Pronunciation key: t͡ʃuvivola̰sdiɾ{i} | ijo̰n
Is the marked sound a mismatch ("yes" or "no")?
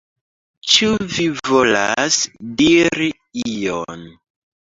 no